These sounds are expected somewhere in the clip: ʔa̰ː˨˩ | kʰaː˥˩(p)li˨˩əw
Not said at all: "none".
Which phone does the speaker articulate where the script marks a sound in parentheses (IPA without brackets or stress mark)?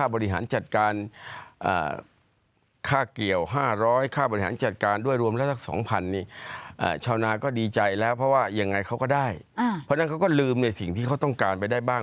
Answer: k